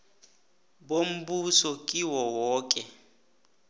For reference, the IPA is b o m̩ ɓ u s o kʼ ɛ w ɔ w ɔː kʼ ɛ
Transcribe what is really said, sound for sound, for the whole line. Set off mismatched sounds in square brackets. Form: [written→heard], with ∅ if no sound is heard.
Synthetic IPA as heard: b o m̩ [ɓ→b] u s [o→ɔ] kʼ [ɛ→i] w ɔ w ɔː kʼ ɛ